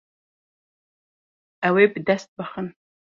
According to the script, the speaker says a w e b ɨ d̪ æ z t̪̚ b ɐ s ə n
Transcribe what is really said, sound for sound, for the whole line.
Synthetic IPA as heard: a w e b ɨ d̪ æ s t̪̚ b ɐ χ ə n